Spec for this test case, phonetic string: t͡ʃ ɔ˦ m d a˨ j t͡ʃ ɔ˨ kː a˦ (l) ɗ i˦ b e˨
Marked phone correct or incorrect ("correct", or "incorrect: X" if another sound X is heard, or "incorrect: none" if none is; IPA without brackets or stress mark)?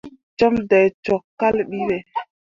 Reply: correct